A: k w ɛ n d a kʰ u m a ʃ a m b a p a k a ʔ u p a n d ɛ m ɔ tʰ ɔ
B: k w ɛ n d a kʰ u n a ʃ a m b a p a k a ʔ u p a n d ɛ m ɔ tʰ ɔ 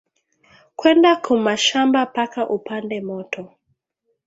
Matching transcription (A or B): A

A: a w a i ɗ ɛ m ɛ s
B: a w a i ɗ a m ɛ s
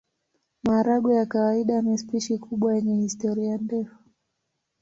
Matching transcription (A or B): B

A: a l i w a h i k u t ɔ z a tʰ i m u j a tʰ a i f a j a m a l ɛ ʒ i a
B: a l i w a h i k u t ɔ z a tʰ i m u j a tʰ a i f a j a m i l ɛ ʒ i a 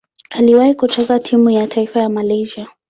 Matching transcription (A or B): A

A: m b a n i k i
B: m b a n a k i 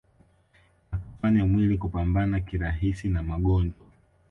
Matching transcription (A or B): B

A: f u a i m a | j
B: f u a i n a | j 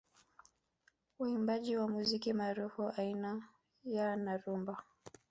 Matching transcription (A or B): B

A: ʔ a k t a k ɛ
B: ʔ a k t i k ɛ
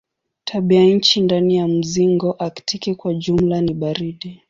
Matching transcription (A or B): B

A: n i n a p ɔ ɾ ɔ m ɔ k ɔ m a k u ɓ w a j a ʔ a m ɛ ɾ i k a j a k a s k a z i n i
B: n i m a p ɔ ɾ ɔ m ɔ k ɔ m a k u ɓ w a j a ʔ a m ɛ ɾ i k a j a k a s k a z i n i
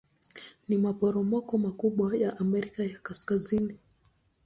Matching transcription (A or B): B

